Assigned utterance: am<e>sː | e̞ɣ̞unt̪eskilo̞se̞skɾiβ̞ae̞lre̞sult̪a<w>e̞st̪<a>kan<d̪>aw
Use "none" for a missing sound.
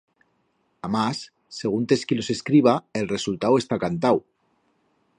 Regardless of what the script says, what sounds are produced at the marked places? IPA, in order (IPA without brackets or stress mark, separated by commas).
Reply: a, w, a, t̪